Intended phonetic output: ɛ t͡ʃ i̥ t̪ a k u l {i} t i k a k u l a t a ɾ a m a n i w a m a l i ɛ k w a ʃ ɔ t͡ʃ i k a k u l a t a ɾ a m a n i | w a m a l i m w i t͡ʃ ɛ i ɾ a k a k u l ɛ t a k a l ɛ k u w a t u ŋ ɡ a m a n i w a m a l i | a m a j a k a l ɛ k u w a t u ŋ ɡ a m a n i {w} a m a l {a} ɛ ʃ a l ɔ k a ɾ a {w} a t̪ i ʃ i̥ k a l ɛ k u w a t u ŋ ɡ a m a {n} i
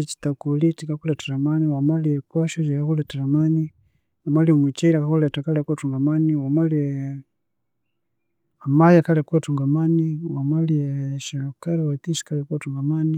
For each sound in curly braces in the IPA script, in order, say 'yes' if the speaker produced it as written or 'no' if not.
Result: yes, yes, no, yes, yes

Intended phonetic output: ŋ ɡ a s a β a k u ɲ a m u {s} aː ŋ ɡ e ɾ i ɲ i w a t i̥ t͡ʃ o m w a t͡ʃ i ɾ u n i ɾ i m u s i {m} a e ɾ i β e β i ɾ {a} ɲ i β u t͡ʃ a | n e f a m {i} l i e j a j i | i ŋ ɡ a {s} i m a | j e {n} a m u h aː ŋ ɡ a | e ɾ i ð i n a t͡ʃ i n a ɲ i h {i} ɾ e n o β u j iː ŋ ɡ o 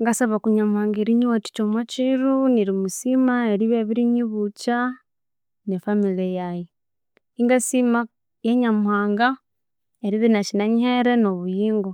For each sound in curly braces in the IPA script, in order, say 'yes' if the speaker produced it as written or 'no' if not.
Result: no, yes, no, yes, yes, no, no

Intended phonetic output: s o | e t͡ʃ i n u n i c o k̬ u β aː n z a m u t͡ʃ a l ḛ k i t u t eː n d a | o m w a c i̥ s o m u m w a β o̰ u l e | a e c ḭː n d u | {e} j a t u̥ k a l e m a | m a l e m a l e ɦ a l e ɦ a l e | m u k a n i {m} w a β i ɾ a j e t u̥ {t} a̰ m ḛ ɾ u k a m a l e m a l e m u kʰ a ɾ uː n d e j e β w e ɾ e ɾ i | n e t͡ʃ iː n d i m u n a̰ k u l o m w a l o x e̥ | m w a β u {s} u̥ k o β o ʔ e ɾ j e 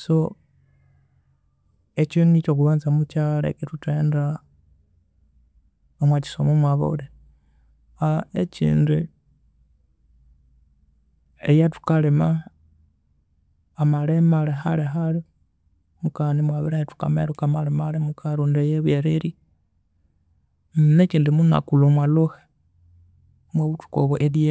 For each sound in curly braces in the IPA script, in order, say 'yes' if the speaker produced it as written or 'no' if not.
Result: yes, yes, no, no

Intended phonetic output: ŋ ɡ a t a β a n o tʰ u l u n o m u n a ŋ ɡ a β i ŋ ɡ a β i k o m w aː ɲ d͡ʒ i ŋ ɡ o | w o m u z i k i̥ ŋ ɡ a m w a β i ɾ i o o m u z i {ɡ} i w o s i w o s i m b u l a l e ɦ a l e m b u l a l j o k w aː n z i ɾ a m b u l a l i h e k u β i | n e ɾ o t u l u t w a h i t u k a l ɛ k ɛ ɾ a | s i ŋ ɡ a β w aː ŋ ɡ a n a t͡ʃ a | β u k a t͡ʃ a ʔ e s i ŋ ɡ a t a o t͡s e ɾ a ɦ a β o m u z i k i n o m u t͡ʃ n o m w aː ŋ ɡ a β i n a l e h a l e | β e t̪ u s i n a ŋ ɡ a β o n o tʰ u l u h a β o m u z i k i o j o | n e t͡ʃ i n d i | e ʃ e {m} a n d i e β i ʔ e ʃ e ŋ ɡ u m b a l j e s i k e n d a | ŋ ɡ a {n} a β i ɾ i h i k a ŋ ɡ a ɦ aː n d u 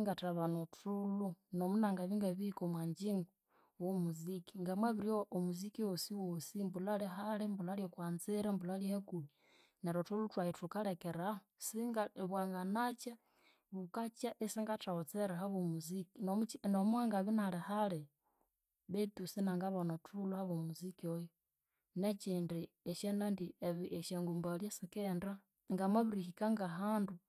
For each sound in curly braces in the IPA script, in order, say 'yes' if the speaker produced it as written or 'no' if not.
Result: no, no, no

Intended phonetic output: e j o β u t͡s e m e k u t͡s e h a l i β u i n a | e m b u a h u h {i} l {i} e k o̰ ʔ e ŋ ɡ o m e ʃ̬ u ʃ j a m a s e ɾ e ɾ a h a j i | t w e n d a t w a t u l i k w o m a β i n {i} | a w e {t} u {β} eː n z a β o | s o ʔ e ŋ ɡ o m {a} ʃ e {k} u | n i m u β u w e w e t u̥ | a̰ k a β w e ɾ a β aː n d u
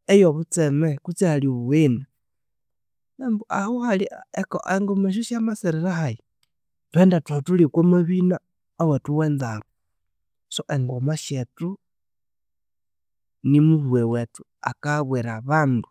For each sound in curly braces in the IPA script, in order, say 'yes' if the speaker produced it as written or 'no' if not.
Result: no, yes, no, yes, no, yes, no

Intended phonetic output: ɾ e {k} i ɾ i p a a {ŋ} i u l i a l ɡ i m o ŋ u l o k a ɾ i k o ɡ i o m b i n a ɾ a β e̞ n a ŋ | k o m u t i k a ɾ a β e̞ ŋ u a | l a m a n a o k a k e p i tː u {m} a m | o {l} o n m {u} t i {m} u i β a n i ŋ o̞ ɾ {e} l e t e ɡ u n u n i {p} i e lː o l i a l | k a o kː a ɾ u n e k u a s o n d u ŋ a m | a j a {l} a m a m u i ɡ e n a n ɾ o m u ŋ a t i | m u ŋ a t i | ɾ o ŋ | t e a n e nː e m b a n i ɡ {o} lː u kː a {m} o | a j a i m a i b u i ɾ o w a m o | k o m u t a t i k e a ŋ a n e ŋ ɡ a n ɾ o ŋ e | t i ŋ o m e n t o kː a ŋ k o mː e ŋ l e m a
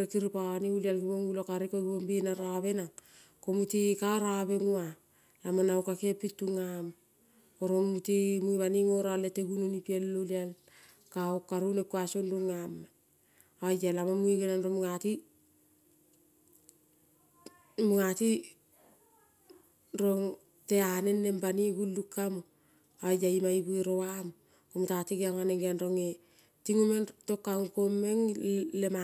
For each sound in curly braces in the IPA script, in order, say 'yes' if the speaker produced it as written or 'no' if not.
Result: yes, no, no, no, yes, yes, no, yes, yes, no, yes

